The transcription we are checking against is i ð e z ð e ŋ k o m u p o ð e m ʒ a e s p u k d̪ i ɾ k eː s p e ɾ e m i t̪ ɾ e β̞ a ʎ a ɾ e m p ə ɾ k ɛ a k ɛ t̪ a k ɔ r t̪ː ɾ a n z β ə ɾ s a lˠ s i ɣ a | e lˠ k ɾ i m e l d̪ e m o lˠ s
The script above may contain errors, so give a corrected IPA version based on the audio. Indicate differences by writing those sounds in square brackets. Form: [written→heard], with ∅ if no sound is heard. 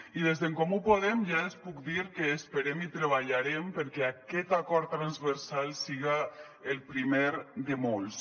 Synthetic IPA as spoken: i ð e z ð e ŋ k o m u p o ð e m ʒ a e s p u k d̪ i ɾ k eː s p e ɾ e m i t̪ ɾ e β̞ a ʎ a ɾ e m p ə ɾ k ɛ a k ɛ t̪ a k ɔ [r→ɾ] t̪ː ɾ a n z β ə ɾ s a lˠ s i ɣ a | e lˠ [k→p] ɾ i m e [l→ɾ] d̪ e m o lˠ s

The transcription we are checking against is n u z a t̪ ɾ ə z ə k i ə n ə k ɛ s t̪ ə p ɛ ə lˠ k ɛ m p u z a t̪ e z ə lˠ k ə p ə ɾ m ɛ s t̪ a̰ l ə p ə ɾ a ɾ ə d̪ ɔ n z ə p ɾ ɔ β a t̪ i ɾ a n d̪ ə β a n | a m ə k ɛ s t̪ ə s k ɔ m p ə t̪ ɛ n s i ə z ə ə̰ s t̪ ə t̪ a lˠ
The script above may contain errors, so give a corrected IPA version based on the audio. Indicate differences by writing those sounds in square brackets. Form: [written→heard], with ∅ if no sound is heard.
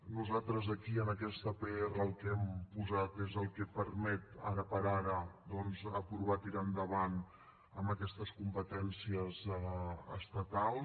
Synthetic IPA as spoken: n u z a t̪ ɾ ə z ə k i ə n ə k ɛ s t̪ ə p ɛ ə lˠ k ɛ m p u z a t̪ e z ə lˠ k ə p ə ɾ m ɛ [s→∅] t̪ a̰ [l→ɾ] ə p ə ɾ a ɾ ə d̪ ɔ n z ə p ɾ [ɔ→u] β a t̪ i ɾ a n d̪ ə β a n | [a→ə] m ə k ɛ s t̪ ə s k [ɔ→u] m p ə t̪ ɛ n s i ə z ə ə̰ s t̪ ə t̪ a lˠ

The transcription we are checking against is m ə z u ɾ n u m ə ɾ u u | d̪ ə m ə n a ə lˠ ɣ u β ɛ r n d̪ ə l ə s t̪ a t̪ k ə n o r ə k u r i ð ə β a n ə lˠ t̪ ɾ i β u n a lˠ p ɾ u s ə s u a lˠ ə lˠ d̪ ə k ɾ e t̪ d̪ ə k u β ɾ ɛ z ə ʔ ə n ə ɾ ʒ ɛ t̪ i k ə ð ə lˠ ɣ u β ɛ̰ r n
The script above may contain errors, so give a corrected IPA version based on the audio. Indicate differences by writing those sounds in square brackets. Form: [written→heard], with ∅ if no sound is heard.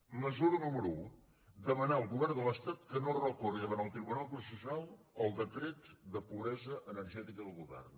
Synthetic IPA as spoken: m ə z u ɾ n u m ə ɾ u u | d̪ ə m ə n a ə lˠ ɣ u β ɛ r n d̪ ə l ə s t̪ a t̪ k ə n o r ə k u r i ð ə β a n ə lˠ t̪ ɾ i β u n a lˠ p ɾ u s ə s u a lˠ ə lˠ d̪ ə k ɾ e t̪ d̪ ə [k→p] u β ɾ ɛ z ə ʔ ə n ə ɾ ʒ ɛ t̪ i k ə ð ə lˠ ɣ u β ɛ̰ r n

